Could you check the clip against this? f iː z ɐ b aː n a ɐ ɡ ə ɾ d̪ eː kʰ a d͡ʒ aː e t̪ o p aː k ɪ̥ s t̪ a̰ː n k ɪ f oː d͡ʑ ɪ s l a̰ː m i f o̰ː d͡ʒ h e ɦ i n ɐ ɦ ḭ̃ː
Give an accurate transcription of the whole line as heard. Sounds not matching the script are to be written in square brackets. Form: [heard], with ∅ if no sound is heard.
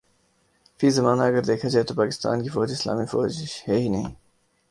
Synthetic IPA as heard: f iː z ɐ [m] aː n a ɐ ɡ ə ɾ d̪ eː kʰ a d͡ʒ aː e t̪ o p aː k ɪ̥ s t̪ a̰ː n k [i] f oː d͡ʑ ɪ s l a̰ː m i f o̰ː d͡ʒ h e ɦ i n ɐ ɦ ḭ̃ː